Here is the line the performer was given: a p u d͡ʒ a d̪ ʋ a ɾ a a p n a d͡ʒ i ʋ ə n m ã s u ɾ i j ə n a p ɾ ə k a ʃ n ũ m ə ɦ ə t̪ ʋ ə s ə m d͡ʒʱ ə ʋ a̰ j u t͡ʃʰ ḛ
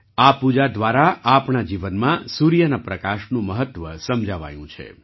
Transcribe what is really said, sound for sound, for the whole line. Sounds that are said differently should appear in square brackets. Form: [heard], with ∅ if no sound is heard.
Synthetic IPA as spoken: a p u d͡ʒ a d̪ ʋ a ɾ a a p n a d͡ʒ i ʋ ə n m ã s u ɾ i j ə n a p ɾ ə k a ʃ n ũ m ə ɦ ə t̪ ʋ ə s ə m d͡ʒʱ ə ʋ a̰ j [ũ] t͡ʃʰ ḛ